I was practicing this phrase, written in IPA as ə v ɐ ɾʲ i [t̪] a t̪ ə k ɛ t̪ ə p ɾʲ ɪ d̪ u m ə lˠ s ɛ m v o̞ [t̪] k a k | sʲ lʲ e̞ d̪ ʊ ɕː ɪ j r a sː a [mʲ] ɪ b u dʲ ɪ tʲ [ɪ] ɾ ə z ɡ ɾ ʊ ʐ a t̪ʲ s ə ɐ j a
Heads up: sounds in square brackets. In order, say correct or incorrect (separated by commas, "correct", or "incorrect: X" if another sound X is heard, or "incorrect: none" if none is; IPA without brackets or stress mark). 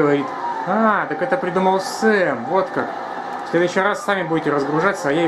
correct, correct, correct, correct